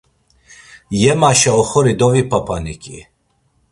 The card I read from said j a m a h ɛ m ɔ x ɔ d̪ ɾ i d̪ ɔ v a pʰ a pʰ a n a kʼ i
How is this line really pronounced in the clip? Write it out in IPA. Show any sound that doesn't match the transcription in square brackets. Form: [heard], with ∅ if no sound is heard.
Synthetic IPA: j [ɛ] m a [ʃ] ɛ [∅] ɔ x ɔ [∅] ɾ i d̪ ɔ v [i] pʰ a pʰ a n [i] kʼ i